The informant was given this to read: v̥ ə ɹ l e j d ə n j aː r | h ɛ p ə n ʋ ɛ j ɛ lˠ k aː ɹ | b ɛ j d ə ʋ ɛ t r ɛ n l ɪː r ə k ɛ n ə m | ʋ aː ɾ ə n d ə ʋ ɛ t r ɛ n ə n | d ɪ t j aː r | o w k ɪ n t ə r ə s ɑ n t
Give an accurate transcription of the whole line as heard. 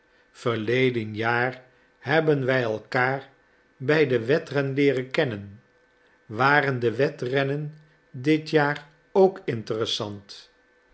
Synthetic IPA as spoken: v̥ ə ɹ l e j d ə n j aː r | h ɛ b ə n ʋ ɛ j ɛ lˠ k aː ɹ | b ɛ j d ə ʋ ɛ t r ɛ n l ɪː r ə k ɛ n ə n | ʋ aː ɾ ə n d ə ʋ ɛ t r ɛ n ə n | d ɪ t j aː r | o w k ɪ n t ə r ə s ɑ n t

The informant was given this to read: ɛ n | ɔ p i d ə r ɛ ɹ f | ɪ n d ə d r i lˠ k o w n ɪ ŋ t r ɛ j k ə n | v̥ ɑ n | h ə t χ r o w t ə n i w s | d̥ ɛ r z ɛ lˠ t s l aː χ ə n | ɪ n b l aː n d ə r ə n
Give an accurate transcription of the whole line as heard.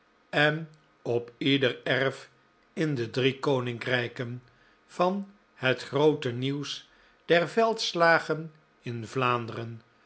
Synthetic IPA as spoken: ɛ n | ɔ p i d ə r ɛ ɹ f | ɪ n d ə d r i k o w n ɪ ŋ k r ɛ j k ə n | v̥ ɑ n | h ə t χ r o w t ə n i w s | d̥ ɛ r v ɛ lˠ t s l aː χ ə n | ɪ n v l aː n d ə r ə n

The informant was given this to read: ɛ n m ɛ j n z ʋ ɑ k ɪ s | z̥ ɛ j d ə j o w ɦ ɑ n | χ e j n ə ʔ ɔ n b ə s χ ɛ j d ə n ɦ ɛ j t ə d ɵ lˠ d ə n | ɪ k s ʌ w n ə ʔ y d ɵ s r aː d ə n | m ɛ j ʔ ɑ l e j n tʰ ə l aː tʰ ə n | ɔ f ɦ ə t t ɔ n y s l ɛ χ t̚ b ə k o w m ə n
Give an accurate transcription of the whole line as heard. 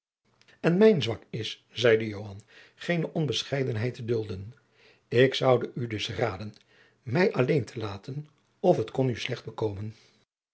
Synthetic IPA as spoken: ɛ n m ɛ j n z ʋ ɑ k ɪ s | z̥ ɛ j d ə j o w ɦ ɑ n | χ e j n ə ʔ ɔ n b ə s χ ɛ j d ə n ɦ ɛ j t ə d ɵ lˠ d ə n | ɪ k s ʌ w d ə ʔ y d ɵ s r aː d ə n | m ɛ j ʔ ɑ l e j n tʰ ə l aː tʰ ə n | ɔ f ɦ ə t k ɔ n y s l ɛ χ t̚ b ə k o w m ə n

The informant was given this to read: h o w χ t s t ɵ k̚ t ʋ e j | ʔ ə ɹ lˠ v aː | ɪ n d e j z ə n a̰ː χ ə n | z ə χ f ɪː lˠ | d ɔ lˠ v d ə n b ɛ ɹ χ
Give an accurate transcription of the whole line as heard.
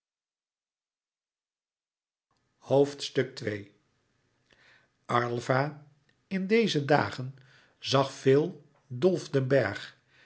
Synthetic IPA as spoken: h o w f t s t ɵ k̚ t ʋ e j | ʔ ɑ ɹ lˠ v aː | ɪ n d e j z ə d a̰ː χ ə n | z ɑ χ f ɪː lˠ | d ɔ lˠ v d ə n b ɛ ɹ χ

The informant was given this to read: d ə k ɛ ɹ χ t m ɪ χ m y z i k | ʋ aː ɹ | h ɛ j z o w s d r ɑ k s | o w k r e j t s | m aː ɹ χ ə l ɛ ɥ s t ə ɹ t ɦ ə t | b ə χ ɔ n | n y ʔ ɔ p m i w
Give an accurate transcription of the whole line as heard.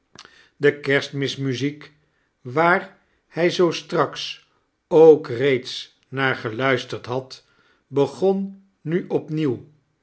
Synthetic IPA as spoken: d ə k ɛ ɹ s t m ɪ s m y z i k | ʋ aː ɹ | h ɛ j z o w s t r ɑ k s | o w k r e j t s | n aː ɹ χ ə l œ ɥ s t ə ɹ t ɦ ɑ t | b ə χ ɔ n | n y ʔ ɔ p n i w

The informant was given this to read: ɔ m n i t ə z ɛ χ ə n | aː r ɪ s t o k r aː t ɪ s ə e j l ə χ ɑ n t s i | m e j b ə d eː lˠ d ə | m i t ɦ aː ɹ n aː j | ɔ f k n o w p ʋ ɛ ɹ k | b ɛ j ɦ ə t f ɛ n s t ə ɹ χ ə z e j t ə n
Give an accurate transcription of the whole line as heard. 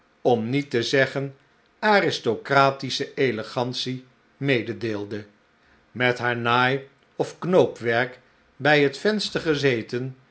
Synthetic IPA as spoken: ɔ m n i t ə z ɛ χ ə n | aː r ɪ s t o k r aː t i s ə e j l ə χ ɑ n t s i | m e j d ə d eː lˠ d ə | m ɛ t ɦ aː ɹ n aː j | ɔ f k n o w p ʋ ɛ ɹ k | b ɛ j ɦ ə t f ɛ n s t ə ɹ χ ə z e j t ə n

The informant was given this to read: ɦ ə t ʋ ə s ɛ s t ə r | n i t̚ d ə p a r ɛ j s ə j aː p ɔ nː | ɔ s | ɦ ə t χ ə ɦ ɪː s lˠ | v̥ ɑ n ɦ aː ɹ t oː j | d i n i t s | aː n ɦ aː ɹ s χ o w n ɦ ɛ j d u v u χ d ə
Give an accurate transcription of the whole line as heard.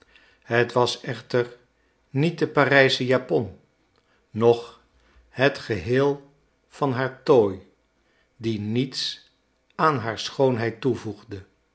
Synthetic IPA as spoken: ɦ ə t ʋ ɑ s ɛ χ t ə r | n i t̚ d ə p a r ɛ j s ə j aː p ɔ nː | ɔ χ | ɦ ə t χ ə ɦ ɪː lˠ | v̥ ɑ n ɦ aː ɹ t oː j | d i n i t s | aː n ɦ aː ɹ s χ o w n ɦ ɛ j t u v u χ d ə

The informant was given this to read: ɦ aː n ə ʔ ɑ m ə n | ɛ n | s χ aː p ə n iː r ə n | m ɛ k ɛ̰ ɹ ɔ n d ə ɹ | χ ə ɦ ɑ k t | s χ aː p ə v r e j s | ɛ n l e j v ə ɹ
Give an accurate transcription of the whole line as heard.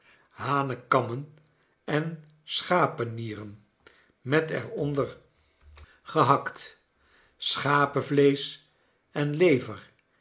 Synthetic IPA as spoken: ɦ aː n ə k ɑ m ə n | ɛ n | s χ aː p ə n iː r ə n | m ɛ t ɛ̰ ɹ ɔ n d ə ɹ | χ ə ɦ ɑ k t | s χ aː p ə v l e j s | ɛ n l e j v ə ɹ

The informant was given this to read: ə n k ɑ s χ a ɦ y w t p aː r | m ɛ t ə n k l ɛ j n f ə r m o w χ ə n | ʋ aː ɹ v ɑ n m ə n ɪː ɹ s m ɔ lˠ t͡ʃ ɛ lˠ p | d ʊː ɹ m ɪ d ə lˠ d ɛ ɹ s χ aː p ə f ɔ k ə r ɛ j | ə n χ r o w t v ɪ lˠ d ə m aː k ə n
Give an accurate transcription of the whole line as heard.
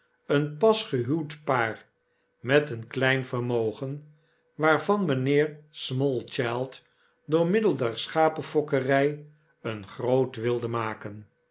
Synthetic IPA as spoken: ə n p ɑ s χ ə ɦ y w t p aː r | m ɛ t ə n k l ɛ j n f ə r m o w χ ə n | ʋ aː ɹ v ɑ n m ə n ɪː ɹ s m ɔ lˠ t͡ʃ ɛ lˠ t | d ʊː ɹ m ɪ d ə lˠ d ɛ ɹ s χ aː p ə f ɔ k ə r ɛ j | ə n χ r o w t ʋ ɪ lˠ d ə m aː k ə n

